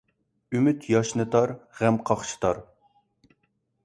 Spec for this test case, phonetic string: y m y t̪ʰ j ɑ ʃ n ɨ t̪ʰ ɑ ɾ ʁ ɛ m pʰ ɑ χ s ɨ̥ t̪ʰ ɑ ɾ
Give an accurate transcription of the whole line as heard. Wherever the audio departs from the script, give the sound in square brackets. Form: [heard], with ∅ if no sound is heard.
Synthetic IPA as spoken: y m y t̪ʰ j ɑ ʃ n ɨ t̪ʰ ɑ ɾ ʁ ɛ m [qʰ] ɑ χ [ʃ] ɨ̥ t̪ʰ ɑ ɾ